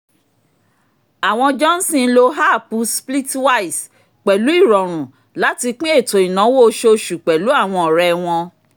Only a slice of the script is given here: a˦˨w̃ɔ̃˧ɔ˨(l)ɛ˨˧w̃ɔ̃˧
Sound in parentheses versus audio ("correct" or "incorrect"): incorrect